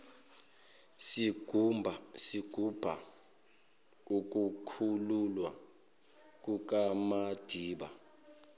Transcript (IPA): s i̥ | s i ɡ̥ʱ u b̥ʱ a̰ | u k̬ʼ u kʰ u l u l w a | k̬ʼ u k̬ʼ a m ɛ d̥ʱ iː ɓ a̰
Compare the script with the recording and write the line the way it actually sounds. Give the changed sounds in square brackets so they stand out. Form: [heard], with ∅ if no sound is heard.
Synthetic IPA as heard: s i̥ | s i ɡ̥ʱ u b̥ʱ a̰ | u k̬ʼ u kʰ u l u l w a | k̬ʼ u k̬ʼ a m [a] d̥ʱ iː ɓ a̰